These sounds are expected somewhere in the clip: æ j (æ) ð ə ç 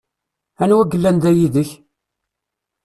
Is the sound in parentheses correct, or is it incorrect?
incorrect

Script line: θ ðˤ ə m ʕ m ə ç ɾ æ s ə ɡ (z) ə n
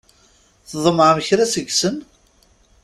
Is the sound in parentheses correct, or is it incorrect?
incorrect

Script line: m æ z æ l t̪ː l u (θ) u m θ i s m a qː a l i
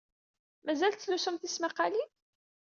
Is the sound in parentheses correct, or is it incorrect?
incorrect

